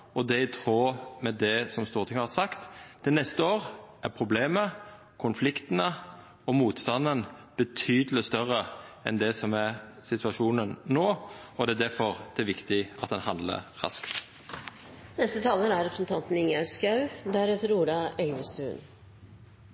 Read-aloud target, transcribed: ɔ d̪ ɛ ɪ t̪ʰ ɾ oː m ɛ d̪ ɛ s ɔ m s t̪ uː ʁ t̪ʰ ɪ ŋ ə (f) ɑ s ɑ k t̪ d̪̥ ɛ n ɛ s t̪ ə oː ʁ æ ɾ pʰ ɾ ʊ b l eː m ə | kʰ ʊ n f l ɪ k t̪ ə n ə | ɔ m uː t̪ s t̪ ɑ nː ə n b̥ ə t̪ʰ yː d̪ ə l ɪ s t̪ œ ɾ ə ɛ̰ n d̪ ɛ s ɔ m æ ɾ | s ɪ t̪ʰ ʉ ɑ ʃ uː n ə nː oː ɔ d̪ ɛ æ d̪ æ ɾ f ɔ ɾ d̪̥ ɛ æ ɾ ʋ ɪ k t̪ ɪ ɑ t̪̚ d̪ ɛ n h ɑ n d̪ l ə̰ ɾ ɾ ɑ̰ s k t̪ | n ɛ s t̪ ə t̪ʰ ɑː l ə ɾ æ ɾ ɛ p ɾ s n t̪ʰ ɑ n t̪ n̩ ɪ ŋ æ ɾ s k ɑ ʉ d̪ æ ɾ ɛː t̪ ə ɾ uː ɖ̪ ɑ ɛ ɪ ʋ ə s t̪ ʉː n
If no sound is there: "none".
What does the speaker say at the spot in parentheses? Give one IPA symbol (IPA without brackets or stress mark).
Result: h